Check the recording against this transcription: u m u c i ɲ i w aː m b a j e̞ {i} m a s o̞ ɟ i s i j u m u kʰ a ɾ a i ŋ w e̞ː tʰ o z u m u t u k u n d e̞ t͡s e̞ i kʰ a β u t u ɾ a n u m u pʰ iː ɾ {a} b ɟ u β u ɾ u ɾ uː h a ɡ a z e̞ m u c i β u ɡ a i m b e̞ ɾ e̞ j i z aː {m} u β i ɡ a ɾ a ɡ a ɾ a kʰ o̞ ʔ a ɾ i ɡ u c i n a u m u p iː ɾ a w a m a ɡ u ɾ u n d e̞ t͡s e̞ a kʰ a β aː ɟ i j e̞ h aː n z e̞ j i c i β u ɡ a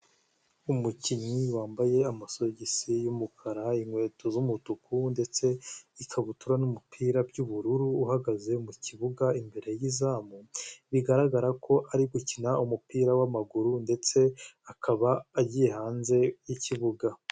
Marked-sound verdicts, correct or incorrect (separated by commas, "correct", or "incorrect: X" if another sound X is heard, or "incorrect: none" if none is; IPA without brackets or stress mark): incorrect: a, correct, correct